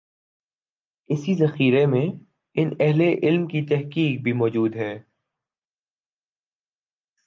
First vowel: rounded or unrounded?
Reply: unrounded